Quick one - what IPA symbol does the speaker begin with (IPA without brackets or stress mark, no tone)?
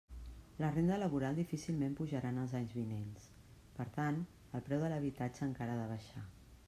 l